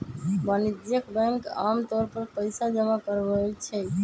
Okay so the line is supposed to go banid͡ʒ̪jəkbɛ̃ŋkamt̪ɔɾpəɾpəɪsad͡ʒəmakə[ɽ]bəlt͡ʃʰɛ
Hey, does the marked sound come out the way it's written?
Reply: no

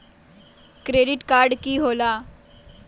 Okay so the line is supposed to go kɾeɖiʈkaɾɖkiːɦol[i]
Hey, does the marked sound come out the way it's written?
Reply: no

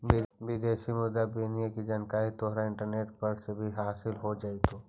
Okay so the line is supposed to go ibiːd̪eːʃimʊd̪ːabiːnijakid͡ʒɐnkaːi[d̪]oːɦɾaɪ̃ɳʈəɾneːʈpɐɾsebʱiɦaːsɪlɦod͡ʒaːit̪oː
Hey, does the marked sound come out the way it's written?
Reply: no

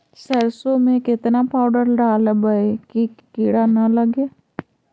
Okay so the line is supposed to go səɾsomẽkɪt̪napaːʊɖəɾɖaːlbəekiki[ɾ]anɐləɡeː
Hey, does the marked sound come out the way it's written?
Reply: no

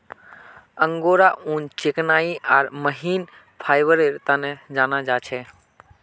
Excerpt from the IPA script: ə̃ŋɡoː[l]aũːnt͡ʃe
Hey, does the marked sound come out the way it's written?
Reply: no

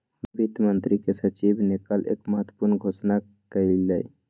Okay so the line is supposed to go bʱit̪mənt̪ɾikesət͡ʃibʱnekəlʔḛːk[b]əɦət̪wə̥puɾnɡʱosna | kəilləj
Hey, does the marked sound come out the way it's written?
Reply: no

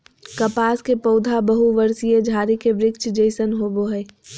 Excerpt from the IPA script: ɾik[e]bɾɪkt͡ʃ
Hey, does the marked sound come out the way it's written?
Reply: yes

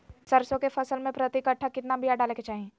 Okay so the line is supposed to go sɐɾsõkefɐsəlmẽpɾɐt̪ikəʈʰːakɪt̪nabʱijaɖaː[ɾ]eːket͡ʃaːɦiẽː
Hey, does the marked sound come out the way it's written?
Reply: no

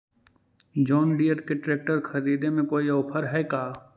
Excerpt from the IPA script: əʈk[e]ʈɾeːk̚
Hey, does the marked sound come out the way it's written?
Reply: yes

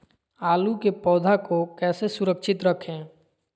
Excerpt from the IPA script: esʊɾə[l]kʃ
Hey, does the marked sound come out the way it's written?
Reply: no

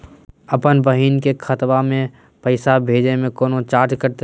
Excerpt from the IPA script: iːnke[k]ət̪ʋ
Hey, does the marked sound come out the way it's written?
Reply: no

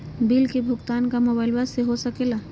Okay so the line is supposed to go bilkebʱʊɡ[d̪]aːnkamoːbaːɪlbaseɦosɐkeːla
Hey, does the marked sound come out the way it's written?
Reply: no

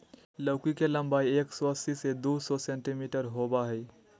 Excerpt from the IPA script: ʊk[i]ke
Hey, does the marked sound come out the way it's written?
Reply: yes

